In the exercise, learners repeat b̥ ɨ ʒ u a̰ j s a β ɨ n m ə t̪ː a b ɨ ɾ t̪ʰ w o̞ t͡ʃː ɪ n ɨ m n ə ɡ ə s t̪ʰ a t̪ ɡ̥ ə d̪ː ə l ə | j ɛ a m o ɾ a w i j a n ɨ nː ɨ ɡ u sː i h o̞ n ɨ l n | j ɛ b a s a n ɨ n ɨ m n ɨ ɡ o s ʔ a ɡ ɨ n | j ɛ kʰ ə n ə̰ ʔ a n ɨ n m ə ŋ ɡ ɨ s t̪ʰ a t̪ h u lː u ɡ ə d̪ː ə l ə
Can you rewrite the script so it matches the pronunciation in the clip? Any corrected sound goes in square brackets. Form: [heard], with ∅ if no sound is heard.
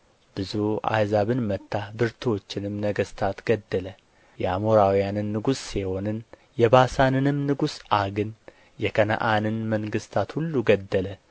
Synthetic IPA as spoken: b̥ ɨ [z] u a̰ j [z] a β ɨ n m ə t̪ː a b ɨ ɾ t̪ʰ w o̞ t͡ʃː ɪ n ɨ m n ə ɡ ə s t̪ʰ a t̪ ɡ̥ ə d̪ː ə l ə | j ɛ a m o ɾ a w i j a n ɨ nː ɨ ɡ u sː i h o̞ n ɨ [∅] n | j ɛ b a s a n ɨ n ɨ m n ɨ ɡ [u] s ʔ a ɡ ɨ n | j ɛ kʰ ə n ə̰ ʔ a n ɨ n m ə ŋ ɡ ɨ s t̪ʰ a t̪ h u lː u ɡ ə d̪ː ə l ə